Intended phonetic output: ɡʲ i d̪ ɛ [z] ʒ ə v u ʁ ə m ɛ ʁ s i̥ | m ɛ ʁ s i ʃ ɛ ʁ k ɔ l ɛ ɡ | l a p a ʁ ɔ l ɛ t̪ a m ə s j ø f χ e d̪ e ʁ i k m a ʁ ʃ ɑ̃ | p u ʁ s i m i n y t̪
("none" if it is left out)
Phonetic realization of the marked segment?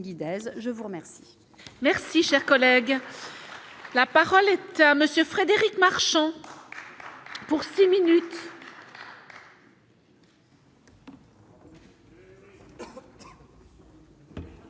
z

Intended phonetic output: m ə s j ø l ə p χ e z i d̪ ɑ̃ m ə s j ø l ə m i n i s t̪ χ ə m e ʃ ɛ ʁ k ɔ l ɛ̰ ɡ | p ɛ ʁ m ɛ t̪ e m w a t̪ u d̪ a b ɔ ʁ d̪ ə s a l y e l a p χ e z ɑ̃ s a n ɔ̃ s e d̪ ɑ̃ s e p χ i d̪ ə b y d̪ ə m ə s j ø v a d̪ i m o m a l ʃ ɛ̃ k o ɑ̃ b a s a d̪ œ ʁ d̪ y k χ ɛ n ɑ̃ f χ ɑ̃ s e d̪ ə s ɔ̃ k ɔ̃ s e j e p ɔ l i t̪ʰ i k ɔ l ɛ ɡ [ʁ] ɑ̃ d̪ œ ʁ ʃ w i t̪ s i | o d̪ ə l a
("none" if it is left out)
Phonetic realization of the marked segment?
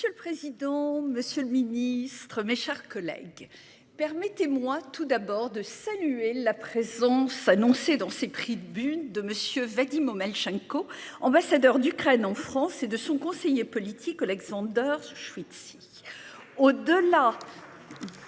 z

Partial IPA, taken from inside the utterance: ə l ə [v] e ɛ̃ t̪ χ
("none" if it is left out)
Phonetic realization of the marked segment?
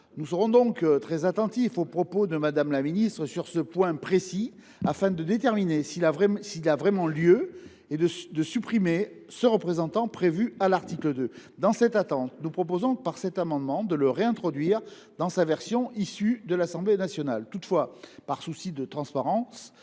ʁ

